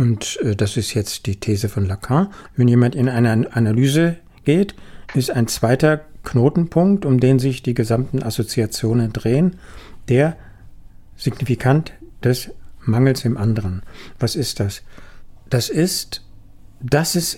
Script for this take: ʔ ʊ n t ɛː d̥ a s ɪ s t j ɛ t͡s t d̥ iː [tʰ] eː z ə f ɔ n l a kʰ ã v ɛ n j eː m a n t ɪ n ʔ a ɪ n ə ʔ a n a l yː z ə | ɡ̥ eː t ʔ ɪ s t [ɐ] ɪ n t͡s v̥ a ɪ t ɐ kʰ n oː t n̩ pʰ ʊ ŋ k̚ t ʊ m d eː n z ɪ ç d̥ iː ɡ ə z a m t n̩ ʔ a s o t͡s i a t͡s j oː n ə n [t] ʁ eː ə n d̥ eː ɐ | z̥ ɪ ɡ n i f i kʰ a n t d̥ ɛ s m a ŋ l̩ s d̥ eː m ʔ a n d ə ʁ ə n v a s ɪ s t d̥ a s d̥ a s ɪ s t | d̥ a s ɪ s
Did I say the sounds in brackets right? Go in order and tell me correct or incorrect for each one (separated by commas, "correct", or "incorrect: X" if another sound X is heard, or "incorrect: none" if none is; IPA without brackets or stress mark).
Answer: correct, incorrect: a, incorrect: d